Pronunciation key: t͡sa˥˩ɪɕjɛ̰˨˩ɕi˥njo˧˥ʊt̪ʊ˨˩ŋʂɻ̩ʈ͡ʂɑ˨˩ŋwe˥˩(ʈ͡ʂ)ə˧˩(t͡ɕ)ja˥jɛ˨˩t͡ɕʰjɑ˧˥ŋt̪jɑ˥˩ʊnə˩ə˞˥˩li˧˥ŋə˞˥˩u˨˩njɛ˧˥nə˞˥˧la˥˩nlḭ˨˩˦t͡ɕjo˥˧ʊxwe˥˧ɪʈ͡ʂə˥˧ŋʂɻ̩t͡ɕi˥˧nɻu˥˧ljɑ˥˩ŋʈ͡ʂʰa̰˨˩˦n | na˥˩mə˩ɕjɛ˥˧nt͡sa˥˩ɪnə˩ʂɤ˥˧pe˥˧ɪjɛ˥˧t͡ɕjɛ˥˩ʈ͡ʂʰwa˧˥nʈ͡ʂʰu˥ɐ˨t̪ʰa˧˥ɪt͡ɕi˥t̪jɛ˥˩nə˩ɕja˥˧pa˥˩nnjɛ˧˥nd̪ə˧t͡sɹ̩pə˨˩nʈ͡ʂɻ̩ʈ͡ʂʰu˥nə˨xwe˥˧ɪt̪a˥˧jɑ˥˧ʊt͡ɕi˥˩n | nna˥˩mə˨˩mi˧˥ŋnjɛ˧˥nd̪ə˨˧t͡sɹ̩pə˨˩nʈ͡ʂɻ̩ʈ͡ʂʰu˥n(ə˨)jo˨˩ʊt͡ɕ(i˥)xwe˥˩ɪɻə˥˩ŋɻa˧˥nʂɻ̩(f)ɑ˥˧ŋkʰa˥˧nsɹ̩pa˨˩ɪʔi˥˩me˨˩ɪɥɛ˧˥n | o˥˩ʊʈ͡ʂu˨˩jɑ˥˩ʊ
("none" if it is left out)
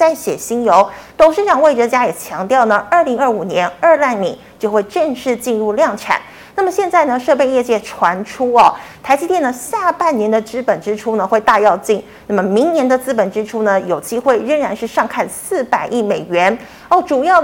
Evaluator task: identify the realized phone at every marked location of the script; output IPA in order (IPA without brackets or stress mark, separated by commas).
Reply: ʈ͡ʂ, t͡ɕ, ə˨, i˥, ʂ